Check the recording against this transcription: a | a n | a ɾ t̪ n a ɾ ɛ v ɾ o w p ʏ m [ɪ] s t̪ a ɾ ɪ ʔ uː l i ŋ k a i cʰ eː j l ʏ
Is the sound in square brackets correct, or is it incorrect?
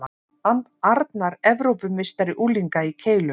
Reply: correct